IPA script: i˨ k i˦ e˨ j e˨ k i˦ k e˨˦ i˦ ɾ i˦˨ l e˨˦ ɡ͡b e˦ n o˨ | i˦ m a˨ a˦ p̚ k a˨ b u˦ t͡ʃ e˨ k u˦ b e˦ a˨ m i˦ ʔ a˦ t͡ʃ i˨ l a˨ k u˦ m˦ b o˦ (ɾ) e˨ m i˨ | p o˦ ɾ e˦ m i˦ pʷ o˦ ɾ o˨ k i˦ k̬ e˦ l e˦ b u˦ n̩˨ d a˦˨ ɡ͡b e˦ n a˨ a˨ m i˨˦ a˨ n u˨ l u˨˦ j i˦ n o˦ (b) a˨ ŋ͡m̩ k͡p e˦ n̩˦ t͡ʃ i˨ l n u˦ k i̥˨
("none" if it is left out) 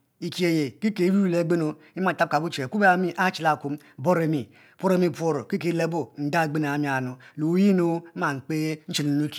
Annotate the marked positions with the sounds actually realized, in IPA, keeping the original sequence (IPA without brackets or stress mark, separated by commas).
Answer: ɾ, m